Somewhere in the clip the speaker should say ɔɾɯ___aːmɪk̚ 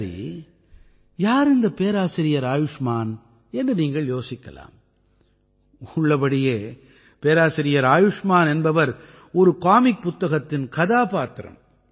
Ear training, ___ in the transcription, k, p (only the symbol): k